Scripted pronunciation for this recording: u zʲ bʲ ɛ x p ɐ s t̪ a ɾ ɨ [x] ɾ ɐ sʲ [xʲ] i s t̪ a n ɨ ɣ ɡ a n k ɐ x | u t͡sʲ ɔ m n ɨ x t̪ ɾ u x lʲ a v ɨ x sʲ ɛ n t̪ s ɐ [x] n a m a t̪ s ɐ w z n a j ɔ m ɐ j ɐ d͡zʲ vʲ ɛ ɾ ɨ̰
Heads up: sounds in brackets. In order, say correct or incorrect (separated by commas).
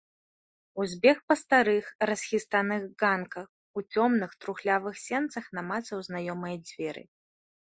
correct, correct, correct